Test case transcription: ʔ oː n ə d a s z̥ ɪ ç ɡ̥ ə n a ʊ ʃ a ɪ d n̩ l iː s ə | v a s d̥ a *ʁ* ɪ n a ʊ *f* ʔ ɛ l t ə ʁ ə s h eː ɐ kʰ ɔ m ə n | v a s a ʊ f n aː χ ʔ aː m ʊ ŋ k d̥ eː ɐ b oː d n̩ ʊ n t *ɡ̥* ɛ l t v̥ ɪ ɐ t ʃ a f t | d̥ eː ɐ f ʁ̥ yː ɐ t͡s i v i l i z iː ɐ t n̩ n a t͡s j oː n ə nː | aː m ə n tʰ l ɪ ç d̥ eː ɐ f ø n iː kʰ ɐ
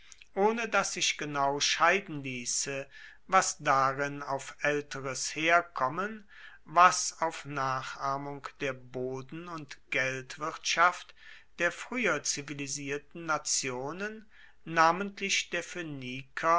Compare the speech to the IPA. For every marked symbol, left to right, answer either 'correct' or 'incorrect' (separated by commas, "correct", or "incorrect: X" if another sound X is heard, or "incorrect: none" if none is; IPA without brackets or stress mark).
correct, correct, correct